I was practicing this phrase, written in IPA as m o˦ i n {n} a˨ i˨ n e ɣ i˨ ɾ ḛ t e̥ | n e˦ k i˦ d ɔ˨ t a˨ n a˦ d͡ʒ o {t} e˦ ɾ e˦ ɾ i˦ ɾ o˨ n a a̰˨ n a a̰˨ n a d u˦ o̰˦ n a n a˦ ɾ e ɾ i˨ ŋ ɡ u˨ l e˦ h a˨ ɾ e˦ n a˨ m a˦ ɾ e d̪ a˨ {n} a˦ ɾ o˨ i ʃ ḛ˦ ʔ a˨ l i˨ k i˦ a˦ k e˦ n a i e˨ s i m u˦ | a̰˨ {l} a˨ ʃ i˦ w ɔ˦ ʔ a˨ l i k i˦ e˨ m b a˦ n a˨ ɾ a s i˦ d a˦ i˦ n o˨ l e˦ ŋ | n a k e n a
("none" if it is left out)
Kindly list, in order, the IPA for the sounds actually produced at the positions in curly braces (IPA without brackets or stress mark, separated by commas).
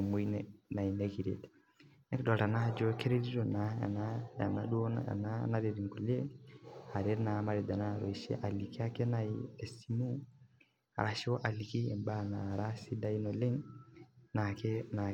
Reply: n, k, n, ɾ